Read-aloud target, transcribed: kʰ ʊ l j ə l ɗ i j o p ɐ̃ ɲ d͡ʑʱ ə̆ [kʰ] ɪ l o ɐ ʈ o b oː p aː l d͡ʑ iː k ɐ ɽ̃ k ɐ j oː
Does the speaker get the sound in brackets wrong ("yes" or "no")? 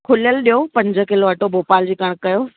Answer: yes